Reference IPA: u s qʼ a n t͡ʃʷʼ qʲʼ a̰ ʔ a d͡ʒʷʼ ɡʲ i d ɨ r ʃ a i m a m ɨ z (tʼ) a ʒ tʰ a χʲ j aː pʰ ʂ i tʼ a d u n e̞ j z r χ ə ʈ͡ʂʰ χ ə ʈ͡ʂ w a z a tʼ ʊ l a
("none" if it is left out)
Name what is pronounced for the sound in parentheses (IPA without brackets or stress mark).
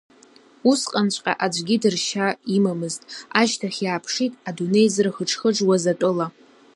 tʼ